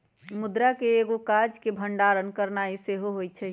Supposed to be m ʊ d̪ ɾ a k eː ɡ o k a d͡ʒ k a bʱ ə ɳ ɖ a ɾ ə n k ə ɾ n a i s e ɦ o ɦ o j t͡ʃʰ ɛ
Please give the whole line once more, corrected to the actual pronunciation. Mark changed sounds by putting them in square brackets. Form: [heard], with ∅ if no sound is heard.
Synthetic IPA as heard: m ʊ d̪ ɾ a k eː ɡ o k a d͡ʒ k [e] bʱ ə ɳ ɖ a ɾ ə n k ə ɾ n a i s e ɦ o ɦ o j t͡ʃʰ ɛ

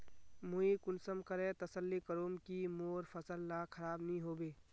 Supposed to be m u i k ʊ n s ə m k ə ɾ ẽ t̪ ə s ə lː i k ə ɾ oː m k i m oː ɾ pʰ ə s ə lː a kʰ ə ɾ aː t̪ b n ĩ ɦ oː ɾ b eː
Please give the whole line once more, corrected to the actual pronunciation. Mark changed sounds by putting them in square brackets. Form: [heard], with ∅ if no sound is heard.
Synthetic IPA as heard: m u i k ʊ n s ə m k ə ɾ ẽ t̪ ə s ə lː i k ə ɾ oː m k i m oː ɾ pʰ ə s ə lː a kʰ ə ɾ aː [∅] b n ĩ ɦ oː [∅] b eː

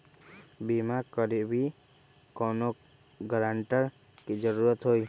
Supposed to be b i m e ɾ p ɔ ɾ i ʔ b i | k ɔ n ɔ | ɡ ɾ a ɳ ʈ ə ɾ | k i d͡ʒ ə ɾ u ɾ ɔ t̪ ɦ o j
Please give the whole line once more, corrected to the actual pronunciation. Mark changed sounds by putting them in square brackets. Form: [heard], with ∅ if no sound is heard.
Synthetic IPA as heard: b i m [a] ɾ [k] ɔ ɾ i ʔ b i | k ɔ n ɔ | ɡ ɾ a ɳ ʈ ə ɾ | k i d͡ʒ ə ɾ u ɾ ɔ t̪ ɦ o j

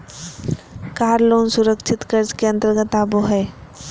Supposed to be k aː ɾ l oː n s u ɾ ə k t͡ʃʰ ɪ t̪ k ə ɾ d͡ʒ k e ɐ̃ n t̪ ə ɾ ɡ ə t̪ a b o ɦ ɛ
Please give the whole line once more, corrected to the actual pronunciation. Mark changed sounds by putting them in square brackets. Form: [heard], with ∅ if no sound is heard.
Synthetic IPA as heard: k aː ɾ l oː n s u ɾ ə k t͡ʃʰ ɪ t̪ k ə ɾ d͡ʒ k e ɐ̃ n t̪ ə ɾ ɡ ə t̪ a b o ɦ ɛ

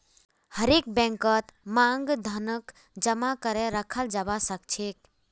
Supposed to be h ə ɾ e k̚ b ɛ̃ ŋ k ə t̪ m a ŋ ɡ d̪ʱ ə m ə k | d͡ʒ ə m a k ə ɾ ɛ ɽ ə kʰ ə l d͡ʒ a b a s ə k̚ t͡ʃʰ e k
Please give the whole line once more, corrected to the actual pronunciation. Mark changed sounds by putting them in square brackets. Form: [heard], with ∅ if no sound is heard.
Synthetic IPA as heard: h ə ɾ e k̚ b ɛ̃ ŋ k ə t̪ m a ŋ ɡ d̪ʱ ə [n] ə k | d͡ʒ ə m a k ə ɾ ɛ [ɾ] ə kʰ ə l d͡ʒ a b a s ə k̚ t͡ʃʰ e k

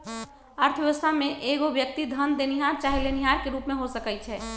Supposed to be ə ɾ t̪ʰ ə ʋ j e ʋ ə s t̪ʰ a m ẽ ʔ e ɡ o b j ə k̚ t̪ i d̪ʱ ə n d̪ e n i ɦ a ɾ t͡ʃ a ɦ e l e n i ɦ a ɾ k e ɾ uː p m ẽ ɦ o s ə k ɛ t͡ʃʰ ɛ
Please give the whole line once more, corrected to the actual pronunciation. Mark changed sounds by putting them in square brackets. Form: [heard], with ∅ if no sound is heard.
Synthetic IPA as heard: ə ɾ t̪ʰ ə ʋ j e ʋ ə s t̪ʰ a m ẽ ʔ e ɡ o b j ə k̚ t̪ i d̪ʱ ə n d̪ e n i ɦ a ɾ t͡ʃ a ɦ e l e n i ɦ a ɾ k e ɾ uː p m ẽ ɦ o s ə k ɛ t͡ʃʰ ɛ

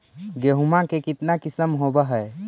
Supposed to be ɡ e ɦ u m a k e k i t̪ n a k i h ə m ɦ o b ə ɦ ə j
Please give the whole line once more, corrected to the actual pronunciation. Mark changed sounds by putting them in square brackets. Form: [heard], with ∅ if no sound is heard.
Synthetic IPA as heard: ɡ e ɦ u m a k e k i t̪ n a k i [s] ə m ɦ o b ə ɦ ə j

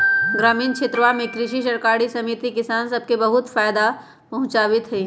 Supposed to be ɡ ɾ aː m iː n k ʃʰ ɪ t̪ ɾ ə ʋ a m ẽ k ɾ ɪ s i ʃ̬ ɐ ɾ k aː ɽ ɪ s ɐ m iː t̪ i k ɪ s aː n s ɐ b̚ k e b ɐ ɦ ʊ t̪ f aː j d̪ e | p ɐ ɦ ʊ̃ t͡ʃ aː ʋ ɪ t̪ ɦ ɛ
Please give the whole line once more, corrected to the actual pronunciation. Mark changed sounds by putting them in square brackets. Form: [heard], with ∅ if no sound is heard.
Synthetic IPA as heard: ɡ ɾ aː m iː n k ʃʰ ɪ t̪ ɾ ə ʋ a m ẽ k ɾ ɪ [ʃ] i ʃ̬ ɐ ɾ k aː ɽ [i] s ɐ m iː t̪ i k ɪ s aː n s ɐ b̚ k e b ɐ ɦ ʊ t̪ f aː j d̪ [a] | p ɐ ɦ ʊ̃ t͡ʃ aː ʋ ɪ t̪ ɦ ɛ

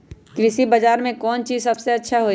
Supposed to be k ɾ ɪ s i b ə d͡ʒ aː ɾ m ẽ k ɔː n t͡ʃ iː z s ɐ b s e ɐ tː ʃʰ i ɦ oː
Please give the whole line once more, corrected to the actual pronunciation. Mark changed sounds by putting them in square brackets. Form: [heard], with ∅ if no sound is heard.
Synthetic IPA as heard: k ɾ ɪ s i b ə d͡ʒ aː ɾ m ẽ k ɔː n t͡ʃ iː z s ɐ b s e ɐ tː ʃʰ [a] ɦ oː

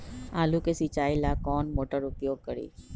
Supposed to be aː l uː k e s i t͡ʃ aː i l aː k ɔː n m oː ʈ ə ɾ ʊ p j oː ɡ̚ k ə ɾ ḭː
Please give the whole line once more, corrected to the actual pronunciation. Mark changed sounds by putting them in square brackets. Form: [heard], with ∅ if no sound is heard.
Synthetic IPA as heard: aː l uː k e s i t͡ʃ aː i l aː k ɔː n m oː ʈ ə ɾ ʊ p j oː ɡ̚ k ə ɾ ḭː

